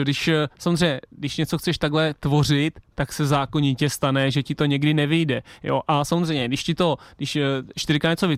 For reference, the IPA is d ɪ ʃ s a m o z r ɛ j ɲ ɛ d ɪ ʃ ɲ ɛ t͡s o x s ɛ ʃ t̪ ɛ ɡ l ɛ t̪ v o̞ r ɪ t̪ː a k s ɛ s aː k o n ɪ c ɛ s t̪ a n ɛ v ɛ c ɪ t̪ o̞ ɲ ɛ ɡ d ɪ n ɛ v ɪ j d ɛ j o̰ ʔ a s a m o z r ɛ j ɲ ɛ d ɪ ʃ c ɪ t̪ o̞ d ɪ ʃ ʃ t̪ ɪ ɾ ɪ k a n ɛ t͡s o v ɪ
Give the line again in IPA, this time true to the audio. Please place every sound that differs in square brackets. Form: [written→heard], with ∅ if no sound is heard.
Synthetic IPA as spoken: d ɪ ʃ s a m o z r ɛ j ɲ ɛ d ɪ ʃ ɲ ɛ t͡s o x [s→t͡s] ɛ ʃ t̪ [ɛ→a] ɡ l ɛ t̪ v o̞ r ɪ t̪ː a k s ɛ [s→z] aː k o [n→ɲ] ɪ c ɛ s t̪ a n ɛ [v→ʒ] ɛ c ɪ t̪ o̞ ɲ ɛ ɡ d ɪ n ɛ v ɪ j d ɛ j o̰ ʔ a s a m o z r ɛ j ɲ ɛ d ɪ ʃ c ɪ t̪ o̞ d ɪ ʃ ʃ t̪ ɪ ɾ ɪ k a [n→ɲ] ɛ t͡s o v ɪ